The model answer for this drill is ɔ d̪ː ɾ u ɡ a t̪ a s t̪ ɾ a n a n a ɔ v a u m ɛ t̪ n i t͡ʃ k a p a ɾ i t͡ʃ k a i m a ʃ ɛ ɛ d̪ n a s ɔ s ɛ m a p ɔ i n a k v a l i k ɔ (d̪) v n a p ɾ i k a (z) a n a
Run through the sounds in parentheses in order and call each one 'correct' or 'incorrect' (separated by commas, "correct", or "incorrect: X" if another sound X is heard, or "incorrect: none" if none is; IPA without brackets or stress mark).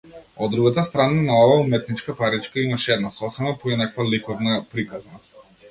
incorrect: none, correct